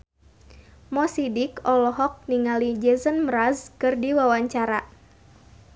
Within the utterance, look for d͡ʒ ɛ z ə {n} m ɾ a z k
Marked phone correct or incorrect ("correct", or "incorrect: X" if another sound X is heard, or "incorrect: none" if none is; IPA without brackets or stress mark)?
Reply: correct